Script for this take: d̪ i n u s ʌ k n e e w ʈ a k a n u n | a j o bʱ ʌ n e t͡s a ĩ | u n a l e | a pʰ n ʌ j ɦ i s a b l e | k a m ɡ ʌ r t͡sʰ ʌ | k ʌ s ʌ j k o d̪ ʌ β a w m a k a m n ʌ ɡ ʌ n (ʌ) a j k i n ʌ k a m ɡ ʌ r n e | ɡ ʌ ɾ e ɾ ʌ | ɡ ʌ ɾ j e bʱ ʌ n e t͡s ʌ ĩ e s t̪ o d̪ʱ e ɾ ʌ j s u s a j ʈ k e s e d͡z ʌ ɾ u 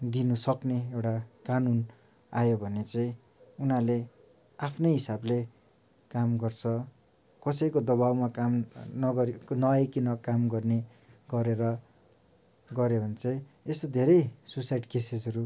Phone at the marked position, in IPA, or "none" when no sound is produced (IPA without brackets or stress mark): ʌ